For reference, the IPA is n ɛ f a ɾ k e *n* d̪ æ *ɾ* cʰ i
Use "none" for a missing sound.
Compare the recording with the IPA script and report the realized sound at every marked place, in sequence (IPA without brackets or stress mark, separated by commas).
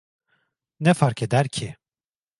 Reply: none, ɾ